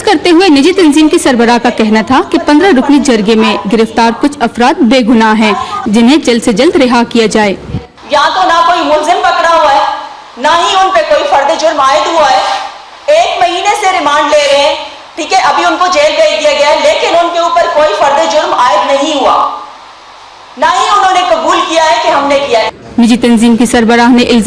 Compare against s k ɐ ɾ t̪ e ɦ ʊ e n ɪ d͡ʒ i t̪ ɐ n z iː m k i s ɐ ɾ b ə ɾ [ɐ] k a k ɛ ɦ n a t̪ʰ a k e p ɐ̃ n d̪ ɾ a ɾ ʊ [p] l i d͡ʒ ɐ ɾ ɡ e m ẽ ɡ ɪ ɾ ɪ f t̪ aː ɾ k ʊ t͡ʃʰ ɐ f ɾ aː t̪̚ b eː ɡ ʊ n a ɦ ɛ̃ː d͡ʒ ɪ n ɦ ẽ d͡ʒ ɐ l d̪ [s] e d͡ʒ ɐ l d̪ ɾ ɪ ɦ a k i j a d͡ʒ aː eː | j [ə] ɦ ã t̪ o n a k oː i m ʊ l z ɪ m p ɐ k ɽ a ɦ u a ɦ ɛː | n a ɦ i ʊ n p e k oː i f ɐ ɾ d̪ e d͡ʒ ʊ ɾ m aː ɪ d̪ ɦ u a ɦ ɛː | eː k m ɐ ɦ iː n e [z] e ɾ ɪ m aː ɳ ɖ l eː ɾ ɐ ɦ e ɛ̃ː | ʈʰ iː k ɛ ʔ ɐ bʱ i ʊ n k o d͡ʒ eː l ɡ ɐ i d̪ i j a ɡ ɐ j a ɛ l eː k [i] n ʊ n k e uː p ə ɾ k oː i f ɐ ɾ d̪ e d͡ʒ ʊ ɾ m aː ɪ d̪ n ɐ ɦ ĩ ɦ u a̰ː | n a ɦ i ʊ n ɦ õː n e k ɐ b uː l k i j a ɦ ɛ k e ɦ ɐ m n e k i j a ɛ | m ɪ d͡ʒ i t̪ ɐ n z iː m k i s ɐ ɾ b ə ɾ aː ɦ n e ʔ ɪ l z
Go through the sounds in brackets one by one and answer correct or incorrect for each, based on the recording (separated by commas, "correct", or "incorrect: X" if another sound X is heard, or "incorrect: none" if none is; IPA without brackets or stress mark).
incorrect: a, correct, correct, incorrect: ɐ, incorrect: s, incorrect: ɪ